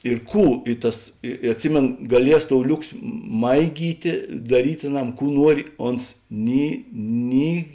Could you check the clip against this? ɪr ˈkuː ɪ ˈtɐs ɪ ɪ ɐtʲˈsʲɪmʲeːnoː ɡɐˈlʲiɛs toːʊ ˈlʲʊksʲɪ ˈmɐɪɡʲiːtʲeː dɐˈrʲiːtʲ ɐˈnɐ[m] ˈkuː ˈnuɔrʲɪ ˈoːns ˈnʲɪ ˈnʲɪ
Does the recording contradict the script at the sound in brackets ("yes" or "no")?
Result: no